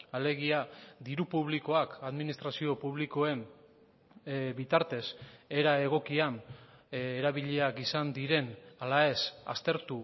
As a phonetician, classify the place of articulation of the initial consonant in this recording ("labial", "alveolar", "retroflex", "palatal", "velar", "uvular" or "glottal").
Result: alveolar